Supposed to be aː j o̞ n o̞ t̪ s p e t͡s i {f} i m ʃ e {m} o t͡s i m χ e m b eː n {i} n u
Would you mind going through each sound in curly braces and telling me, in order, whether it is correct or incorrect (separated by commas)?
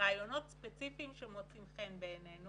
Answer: correct, correct, incorrect